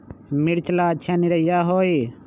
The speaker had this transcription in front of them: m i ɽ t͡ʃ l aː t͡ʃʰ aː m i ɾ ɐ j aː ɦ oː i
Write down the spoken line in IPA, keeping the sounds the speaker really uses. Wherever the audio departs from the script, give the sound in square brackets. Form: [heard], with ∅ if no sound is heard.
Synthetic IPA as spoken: m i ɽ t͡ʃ l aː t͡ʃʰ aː [n] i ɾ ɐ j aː ɦ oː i